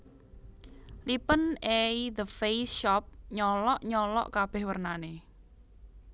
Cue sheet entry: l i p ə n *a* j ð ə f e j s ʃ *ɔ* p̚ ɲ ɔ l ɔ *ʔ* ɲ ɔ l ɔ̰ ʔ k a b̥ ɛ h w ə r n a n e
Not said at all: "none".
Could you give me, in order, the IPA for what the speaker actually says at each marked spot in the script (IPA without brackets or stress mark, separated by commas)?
e, ɔ, ʔ